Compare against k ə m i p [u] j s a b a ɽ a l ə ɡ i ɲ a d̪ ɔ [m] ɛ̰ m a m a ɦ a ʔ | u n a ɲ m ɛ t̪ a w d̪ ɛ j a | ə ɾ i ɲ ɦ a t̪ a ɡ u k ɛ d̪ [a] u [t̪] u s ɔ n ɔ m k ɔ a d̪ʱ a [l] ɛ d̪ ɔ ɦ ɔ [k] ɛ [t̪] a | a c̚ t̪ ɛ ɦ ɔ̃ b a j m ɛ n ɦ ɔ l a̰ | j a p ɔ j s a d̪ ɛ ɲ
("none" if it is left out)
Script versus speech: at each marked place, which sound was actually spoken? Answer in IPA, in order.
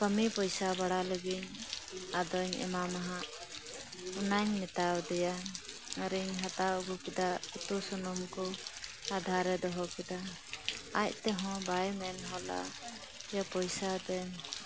ɔ, ɲ, a, t̪, ɾ, k, d̪

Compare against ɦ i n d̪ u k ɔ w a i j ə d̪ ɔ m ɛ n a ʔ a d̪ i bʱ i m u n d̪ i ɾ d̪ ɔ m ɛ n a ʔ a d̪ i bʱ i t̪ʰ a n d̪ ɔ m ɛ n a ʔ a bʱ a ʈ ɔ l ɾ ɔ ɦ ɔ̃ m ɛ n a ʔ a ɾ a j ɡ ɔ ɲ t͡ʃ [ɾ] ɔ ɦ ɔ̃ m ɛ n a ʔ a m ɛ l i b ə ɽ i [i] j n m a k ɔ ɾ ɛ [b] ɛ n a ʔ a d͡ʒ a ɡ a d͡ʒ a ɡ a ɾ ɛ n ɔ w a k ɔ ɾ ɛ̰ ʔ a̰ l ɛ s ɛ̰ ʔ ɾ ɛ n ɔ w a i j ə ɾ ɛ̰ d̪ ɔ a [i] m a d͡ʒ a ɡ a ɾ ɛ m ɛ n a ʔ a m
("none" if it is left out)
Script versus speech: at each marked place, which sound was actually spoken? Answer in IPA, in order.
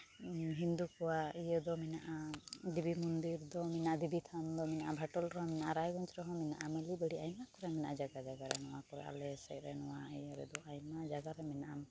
ɾ, a, m, j

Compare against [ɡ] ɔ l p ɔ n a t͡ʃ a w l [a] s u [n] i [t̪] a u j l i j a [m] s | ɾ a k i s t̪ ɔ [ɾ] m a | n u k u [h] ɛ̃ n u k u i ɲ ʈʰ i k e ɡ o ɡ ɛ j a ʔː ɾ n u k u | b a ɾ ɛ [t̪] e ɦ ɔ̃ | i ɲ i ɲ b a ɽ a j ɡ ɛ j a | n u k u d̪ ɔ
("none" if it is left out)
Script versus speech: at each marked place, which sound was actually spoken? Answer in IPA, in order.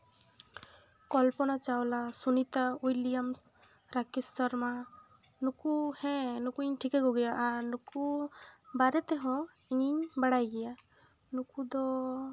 k, a, n, t̪, m, ɾ, h, t̪

